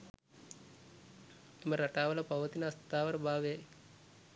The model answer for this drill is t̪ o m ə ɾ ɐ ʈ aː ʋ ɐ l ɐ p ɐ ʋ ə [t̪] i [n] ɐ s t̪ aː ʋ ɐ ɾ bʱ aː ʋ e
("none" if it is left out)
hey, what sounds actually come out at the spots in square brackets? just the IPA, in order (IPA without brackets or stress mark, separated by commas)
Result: t̪, n